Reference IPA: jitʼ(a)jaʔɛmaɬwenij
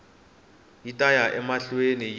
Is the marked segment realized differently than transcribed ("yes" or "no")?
no